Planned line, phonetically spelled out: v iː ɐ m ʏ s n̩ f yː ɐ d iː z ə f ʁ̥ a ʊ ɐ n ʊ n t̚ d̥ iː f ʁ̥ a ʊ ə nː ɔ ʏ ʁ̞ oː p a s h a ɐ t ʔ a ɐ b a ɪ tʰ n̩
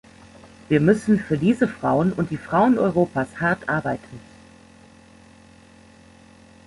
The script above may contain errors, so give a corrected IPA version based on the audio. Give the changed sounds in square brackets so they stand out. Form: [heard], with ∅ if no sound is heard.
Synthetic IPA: v iː ɐ m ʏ s n̩ f yː ɐ d iː z ə f ʁ̥ a ʊ [ə] n ʊ n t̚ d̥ iː f ʁ̥ a ʊ ə [n] ɔ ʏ ʁ̞ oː p a s h a ɐ t ʔ a ɐ b a ɪ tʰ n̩